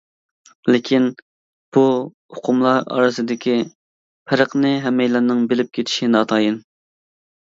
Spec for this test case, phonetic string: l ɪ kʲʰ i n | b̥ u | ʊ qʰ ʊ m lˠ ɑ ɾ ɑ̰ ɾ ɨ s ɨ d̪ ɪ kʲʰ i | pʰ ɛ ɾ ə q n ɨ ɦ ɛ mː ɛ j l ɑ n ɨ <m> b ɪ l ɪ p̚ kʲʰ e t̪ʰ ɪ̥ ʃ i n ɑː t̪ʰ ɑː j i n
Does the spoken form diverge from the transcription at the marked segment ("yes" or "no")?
yes